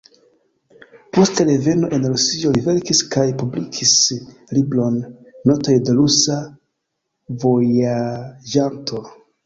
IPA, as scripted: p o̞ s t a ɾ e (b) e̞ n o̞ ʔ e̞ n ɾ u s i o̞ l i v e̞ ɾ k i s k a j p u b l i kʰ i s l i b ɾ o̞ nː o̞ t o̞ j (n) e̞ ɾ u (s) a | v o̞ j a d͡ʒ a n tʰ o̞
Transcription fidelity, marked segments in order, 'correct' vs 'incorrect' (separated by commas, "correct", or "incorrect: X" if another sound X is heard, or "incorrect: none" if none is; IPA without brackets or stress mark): incorrect: v, incorrect: d, correct